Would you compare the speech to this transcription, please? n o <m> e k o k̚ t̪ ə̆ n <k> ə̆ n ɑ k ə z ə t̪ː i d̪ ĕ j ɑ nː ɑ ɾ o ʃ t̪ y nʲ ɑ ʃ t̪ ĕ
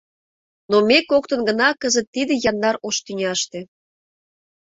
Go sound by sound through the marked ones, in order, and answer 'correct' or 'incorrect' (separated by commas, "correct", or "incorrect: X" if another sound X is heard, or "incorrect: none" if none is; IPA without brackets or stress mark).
correct, incorrect: ɡ